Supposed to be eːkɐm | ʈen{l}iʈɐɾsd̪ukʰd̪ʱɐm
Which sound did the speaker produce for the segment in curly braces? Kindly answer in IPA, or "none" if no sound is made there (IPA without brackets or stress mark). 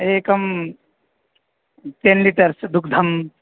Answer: l